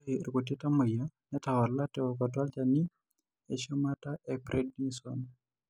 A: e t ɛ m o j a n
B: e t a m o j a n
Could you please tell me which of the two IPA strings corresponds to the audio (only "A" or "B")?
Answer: B